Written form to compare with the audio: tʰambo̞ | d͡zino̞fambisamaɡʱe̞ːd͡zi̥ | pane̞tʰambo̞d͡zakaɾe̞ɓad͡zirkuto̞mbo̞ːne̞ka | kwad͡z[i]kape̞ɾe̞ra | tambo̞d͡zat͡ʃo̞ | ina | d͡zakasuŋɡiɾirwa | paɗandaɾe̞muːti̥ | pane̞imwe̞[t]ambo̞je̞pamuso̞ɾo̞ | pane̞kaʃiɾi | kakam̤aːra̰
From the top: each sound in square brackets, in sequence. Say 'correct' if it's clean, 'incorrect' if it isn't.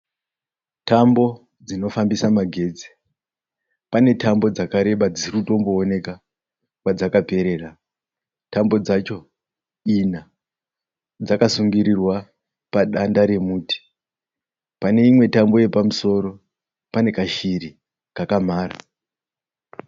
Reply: incorrect, correct

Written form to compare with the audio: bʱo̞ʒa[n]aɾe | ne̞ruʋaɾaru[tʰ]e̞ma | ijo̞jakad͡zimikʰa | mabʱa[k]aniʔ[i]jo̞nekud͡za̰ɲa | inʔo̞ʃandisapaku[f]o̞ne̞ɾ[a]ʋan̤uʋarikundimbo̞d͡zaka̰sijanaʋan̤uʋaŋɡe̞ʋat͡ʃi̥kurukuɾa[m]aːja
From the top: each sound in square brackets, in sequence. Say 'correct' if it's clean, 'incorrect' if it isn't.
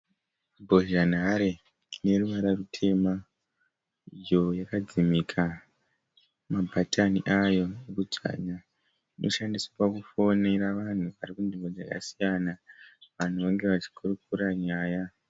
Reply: correct, correct, incorrect, incorrect, correct, correct, incorrect

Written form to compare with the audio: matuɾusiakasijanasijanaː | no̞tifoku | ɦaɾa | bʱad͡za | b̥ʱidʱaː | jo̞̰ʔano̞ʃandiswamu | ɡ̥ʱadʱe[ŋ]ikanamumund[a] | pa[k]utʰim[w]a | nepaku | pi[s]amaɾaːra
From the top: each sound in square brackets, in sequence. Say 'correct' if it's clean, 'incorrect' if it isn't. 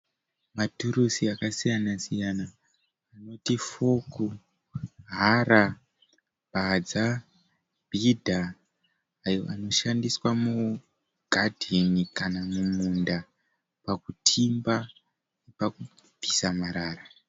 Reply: incorrect, correct, correct, incorrect, correct

